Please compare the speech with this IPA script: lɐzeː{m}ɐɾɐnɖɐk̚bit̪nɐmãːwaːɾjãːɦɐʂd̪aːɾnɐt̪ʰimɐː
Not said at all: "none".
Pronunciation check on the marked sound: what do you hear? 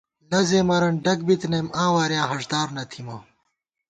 m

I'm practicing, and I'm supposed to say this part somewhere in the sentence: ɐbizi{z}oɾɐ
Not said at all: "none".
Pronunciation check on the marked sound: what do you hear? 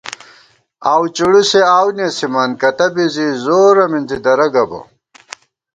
z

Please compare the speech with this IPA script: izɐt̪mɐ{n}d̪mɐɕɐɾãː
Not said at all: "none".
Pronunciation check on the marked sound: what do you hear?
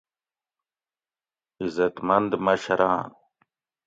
n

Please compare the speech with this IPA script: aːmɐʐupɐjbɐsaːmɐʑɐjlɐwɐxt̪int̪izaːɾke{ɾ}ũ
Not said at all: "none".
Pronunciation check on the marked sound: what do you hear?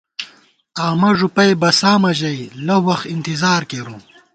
ɾ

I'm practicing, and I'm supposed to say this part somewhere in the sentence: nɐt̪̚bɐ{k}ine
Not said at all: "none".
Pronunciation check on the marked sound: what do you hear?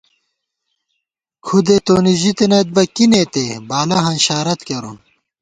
k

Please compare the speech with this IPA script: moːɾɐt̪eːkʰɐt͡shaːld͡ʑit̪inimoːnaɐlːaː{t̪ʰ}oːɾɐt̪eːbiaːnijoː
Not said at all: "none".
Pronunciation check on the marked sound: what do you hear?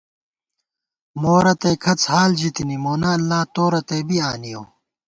t̪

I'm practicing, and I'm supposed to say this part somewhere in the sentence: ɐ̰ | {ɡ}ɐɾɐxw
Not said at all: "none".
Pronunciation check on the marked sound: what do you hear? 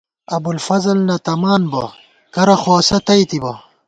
k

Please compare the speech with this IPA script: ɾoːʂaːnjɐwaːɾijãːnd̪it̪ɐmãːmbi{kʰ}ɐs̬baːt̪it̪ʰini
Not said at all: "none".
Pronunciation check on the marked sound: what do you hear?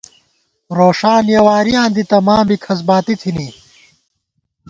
kʰ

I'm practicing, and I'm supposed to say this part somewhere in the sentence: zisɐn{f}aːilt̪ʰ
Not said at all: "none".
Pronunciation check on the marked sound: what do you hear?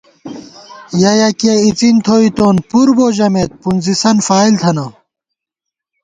f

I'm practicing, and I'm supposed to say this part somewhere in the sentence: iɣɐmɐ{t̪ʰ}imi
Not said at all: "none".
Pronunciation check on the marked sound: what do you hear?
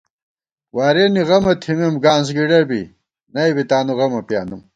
t̪ʰ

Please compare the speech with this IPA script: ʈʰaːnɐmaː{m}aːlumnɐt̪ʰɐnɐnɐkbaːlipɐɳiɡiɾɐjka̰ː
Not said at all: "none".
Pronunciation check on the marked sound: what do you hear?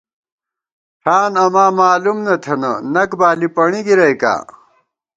m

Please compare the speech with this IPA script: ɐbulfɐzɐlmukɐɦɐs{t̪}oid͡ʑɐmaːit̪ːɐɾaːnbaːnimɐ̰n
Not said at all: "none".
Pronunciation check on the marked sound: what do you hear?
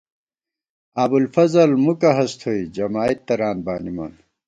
t̪ʰ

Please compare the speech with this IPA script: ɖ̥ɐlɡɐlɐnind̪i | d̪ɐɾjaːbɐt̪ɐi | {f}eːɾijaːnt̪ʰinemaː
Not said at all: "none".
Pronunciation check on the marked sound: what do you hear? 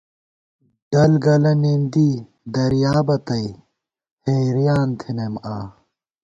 h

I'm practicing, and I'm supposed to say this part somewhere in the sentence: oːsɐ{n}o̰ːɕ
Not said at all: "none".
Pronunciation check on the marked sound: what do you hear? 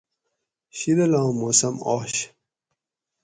m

